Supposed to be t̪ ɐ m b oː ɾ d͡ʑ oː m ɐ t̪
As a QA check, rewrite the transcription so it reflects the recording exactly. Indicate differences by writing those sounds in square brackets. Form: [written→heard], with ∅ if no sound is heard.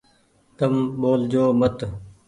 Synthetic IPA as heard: t̪ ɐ m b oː [ɾ→l] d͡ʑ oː m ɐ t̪